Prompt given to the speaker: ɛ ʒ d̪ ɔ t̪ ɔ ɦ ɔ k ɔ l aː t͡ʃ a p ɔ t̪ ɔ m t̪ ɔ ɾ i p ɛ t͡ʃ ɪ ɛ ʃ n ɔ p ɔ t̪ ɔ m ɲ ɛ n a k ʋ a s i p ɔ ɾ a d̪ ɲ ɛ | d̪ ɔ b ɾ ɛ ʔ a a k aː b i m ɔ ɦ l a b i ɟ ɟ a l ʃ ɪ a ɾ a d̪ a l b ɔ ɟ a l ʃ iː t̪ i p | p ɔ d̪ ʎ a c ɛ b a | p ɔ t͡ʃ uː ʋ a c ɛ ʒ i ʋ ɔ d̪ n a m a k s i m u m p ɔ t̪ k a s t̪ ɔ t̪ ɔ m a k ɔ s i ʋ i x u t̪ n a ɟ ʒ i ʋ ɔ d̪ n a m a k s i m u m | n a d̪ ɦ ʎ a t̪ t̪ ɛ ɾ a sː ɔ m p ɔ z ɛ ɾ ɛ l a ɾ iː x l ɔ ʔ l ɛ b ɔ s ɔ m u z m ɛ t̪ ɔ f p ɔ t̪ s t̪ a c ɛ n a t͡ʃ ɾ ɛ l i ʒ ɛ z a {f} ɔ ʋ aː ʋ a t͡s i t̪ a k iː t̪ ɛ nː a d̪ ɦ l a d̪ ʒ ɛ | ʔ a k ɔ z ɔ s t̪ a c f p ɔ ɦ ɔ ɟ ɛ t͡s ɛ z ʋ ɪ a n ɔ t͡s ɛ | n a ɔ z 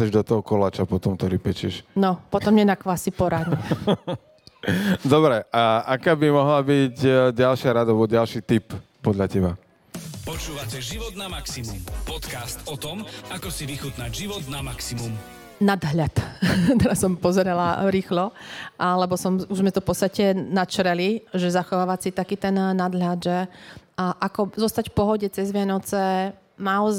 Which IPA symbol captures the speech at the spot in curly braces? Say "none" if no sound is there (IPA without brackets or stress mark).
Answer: x